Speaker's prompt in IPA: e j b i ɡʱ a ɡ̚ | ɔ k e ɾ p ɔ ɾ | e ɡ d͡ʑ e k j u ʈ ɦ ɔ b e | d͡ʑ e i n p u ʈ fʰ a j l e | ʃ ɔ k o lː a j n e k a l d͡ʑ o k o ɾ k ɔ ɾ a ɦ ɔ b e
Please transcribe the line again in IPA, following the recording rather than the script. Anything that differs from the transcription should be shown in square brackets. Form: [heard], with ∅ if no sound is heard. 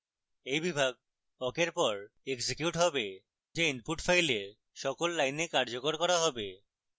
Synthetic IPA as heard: e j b i [bʱ] a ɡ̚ | ɔ k e ɾ p ɔ ɾ | e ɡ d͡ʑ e k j u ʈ ɦ ɔ b e | d͡ʑ e i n p u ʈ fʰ a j l e | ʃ ɔ k o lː a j n e k a [ɾ] d͡ʑ o k o ɾ k ɔ ɾ a ɦ ɔ b e

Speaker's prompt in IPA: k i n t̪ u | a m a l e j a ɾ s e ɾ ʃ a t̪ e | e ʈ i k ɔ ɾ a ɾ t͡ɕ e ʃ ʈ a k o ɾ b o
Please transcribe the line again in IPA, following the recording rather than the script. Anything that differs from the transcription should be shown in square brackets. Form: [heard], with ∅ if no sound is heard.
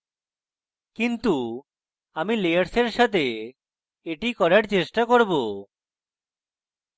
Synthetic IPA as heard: k i n t̪ u | a m [i] l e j a ɾ s e ɾ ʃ a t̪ e | e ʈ i k ɔ ɾ a ɾ t͡ɕ e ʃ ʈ a k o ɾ b o

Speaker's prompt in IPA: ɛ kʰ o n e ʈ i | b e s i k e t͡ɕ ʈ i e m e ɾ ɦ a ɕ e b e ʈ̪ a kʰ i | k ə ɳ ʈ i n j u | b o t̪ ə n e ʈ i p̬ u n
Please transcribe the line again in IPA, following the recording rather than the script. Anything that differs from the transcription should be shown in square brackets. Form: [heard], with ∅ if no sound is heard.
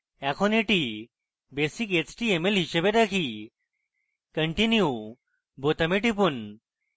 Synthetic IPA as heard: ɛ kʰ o n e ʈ i | b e s i k e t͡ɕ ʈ i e m e [l] ɦ [i] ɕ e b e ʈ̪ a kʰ i | k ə ɳ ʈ i n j u | b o t̪ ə [m] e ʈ i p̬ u n

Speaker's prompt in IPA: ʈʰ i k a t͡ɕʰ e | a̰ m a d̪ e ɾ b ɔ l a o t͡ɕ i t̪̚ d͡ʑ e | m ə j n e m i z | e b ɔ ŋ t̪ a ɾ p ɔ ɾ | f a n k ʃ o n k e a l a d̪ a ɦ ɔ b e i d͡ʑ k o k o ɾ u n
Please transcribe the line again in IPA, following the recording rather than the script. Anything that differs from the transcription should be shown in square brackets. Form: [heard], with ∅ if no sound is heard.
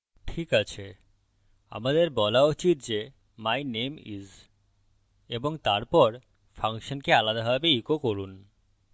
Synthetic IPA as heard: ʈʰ i k a t͡ɕʰ e | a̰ m a d̪ e ɾ b ɔ l a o t͡ɕ i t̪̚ d͡ʑ e | m [a] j n e m i z | e b [o] ŋ t̪ a ɾ p ɔ ɾ | f a [ŋ] k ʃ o n k e a l a d̪ a ɦ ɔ b e i [∅] k o k o ɾ u n

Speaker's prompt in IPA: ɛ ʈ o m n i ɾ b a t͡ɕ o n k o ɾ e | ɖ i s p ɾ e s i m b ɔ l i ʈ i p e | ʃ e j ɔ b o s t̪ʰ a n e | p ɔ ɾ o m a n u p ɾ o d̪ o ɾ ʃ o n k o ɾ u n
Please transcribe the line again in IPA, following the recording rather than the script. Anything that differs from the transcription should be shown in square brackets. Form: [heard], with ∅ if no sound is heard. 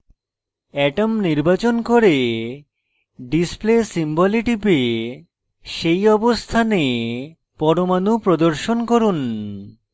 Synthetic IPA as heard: ɛ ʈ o m n i ɾ b a t͡ɕ o n k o ɾ e | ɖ i s p [l] e s i m b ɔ l i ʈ i p e | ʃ e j ɔ b o s t̪ʰ a n e | p ɔ ɾ o m a n u p ɾ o d̪ o ɾ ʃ o n k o ɾ u n

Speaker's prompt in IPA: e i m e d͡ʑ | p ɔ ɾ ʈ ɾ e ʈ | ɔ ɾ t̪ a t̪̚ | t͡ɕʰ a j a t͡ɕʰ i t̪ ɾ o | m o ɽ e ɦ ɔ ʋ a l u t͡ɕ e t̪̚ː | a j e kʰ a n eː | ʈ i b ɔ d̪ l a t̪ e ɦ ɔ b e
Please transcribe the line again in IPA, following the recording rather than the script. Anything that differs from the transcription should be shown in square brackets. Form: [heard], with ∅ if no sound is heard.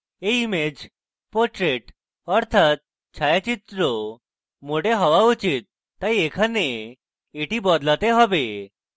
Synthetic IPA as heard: e i m e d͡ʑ | p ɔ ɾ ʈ ɾ e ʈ | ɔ ɾ [t̪ʰ] a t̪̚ | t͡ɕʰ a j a [t͡ɕ] i t̪ ɾ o | m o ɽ e ɦ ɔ ʋ a [∅] u t͡ɕ [i] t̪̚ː | a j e kʰ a n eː | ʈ i b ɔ d̪ l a t̪ e ɦ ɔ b e

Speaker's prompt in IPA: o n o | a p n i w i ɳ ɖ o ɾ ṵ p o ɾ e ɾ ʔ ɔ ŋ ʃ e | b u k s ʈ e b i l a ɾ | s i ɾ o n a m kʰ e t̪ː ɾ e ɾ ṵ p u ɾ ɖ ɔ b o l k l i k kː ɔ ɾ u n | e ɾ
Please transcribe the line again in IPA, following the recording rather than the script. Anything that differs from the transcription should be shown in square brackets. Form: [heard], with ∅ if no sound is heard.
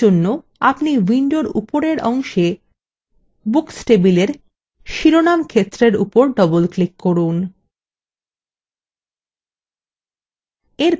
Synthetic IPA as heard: o [nː] o | a p n i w i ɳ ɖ o ɾ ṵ p o ɾ e ɾ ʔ ɔ ŋ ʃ e | b u k s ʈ e b i l [e] ɾ | [ʃ] i ɾ o n a m kʰ e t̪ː ɾ e ɾ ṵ p [o] ɾ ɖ ɔ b o l k l i k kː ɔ ɾ u n | e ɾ

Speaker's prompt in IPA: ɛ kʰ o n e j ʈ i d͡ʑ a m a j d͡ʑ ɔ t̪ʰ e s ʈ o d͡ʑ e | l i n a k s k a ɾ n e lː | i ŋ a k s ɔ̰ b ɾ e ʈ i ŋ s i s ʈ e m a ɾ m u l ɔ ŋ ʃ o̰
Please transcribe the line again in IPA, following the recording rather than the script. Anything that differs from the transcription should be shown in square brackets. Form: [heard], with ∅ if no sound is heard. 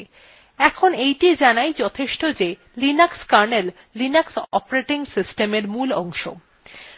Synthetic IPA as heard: ɛ kʰ o n e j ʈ i d͡ʑ a [n] a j d͡ʑ ɔ t̪ʰ e [ʃ] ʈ o d͡ʑ e | l i n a k s k a ɾ n e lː | i [n] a k s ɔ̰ [p] ɾ e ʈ i ŋ s i s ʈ e m [e] ɾ m u l ɔ ŋ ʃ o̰

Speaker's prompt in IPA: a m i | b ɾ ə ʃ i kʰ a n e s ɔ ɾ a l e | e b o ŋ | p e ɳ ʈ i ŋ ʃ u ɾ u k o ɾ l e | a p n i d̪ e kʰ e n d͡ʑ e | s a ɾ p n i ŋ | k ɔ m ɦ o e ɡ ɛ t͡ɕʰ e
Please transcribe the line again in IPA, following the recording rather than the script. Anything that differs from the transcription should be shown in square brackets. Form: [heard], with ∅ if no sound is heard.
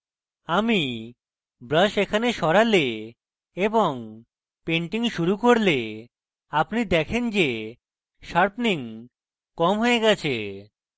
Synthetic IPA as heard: a m i | b ɾ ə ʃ [e] kʰ a n e [ʃ] ɔ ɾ a l e | e b o ŋ | p e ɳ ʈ i ŋ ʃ u ɾ u k o ɾ l e | a p n i d̪ [ɛ] kʰ e n d͡ʑ e | [ʃ] a ɾ p n i ŋ | k ɔ m ɦ o e ɡ ɛ t͡ɕʰ e

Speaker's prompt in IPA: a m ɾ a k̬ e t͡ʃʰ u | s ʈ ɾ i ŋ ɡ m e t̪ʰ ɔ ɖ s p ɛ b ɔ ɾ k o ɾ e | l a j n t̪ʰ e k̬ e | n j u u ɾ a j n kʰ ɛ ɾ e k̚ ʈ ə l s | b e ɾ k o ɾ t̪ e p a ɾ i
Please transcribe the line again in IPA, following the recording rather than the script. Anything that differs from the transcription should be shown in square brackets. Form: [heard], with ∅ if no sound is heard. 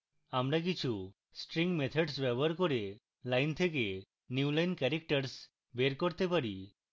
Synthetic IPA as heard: a m ɾ a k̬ [i] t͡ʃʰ u | s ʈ ɾ i ŋ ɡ m e t̪ʰ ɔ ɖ s [b] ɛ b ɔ ɾ k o ɾ e | l a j n t̪ʰ e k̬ e | n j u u [l] a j n [k] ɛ ɾ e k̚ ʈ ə [ɾ] s | b e ɾ k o ɾ t̪ e p a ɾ i

